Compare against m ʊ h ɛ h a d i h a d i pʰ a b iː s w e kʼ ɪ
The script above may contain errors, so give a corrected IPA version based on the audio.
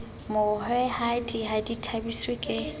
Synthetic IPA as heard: m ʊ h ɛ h a d i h a d i tʰ a b i s w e kʼ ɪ